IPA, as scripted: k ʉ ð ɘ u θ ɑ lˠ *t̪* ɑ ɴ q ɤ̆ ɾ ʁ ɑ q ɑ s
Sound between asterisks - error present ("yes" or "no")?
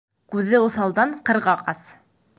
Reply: yes